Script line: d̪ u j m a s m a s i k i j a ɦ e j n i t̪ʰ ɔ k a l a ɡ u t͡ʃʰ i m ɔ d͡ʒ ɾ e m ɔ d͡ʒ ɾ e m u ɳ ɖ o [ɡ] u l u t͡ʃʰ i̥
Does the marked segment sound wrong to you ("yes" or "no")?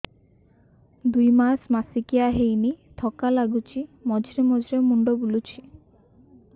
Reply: yes